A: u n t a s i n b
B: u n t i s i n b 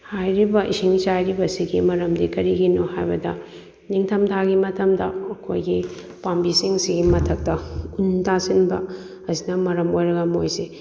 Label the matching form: A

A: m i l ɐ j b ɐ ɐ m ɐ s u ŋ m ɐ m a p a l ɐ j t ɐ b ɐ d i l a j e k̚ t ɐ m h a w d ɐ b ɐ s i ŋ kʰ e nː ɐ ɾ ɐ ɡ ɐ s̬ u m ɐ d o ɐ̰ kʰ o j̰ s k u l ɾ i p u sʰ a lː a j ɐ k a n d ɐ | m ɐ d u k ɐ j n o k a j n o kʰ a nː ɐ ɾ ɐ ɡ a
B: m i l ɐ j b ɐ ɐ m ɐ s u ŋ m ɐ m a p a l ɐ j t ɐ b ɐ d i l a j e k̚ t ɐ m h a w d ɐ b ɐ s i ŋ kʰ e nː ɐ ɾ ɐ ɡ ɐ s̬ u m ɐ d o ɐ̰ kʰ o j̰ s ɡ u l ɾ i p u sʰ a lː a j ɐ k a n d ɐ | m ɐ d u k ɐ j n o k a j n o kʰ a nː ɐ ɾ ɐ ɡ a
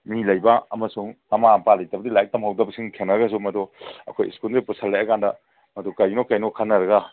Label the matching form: A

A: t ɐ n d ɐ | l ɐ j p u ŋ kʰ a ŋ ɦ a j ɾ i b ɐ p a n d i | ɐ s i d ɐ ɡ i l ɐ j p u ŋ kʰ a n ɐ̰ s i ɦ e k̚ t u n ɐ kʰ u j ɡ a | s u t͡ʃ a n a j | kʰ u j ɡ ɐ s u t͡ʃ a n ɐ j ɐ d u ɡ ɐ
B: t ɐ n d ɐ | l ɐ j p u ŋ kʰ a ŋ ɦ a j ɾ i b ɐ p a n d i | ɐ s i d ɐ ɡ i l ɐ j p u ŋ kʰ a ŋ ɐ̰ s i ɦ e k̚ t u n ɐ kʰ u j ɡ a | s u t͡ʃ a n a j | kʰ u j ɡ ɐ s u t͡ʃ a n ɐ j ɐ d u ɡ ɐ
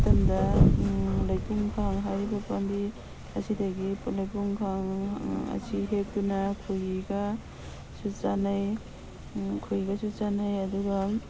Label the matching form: B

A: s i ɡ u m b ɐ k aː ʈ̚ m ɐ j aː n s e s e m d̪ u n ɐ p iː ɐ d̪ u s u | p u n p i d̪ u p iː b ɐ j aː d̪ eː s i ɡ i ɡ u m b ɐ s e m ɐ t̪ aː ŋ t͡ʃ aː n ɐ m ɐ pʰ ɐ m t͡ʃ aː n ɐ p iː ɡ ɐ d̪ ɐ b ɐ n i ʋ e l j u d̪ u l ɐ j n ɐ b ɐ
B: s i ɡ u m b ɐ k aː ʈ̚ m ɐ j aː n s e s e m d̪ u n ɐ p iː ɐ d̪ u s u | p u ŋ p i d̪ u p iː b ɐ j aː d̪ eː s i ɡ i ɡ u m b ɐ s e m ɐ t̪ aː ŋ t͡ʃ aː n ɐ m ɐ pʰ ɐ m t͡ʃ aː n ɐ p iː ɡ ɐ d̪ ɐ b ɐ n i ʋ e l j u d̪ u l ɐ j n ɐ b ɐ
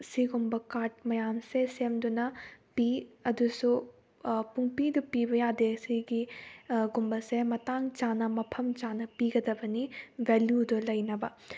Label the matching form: B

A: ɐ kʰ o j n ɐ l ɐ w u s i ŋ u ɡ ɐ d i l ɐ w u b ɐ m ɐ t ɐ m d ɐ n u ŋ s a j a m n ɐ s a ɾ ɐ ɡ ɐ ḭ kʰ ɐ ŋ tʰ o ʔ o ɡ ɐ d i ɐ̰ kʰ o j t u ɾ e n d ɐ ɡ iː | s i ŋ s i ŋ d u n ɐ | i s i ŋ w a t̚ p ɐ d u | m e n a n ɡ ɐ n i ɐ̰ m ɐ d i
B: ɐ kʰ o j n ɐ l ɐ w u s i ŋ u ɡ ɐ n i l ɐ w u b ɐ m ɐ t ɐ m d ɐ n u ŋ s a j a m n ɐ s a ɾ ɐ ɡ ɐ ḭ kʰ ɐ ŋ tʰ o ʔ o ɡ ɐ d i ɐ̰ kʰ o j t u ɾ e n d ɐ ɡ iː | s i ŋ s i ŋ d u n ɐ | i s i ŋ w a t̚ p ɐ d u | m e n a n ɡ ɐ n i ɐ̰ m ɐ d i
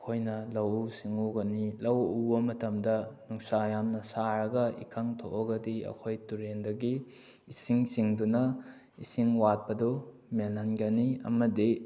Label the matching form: B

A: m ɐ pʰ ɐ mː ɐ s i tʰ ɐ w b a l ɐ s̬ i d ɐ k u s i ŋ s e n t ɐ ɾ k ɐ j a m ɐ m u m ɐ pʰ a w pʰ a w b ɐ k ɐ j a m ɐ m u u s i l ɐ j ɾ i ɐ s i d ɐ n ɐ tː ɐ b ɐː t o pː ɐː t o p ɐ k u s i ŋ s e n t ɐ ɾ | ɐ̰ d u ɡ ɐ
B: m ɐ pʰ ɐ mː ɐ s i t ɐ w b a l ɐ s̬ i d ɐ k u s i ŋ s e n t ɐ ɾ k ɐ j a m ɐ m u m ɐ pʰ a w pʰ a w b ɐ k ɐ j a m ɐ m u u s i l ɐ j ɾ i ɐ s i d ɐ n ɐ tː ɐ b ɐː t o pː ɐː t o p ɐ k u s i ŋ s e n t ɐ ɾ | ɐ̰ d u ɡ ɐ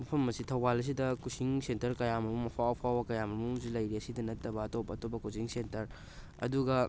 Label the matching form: A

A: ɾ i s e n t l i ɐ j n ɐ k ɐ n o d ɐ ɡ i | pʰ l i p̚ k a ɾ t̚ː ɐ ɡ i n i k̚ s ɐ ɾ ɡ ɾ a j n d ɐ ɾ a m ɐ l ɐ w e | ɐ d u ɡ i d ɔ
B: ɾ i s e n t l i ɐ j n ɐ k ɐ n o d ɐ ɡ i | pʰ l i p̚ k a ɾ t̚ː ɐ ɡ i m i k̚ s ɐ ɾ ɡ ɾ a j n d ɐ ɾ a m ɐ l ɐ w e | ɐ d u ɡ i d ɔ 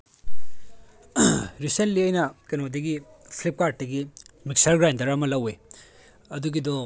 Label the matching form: B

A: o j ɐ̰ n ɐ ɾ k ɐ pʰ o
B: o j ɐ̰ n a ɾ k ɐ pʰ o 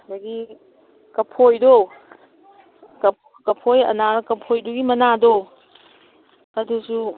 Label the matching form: B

